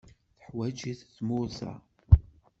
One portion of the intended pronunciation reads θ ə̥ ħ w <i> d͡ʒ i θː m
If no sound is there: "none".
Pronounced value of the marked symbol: æ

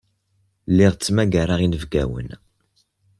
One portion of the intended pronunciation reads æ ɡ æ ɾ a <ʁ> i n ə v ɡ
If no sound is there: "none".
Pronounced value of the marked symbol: ʁ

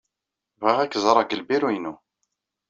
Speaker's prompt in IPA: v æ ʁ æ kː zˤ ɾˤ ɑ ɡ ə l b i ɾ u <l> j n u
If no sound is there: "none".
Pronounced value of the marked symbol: none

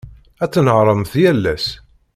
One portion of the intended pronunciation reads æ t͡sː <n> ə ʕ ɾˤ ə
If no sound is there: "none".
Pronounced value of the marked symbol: n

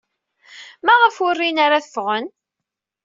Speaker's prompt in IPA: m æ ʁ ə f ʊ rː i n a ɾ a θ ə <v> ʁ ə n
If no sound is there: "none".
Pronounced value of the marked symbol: f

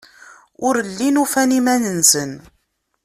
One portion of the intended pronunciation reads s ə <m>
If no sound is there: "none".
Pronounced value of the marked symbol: n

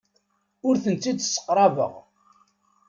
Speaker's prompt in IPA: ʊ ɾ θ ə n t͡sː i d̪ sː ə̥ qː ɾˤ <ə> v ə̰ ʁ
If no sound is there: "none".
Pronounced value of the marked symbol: ɑ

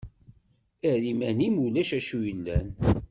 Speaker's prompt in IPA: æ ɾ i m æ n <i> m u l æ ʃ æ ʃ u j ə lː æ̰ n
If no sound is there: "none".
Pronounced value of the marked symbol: i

